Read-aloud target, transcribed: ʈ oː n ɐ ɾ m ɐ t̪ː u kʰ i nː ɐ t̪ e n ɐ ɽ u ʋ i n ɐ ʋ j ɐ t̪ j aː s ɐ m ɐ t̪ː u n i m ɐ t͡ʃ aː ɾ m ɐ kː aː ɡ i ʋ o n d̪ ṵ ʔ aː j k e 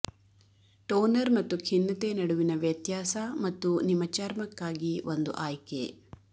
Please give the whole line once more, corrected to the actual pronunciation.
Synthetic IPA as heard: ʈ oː n ɐ ɾ m ɐ t̪ː u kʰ i nː ɐ t̪ e n ɐ ɽ u ʋ i n ɐ ʋ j ɐ t̪ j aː s ɐ m ɐ t̪ː u n i m ɐ t͡ʃ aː ɾ m ɐ kː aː ɡ i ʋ o n d̪ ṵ ʔ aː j k e